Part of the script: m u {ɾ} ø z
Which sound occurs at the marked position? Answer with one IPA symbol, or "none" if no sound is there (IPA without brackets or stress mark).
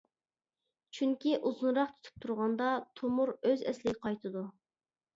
ɾ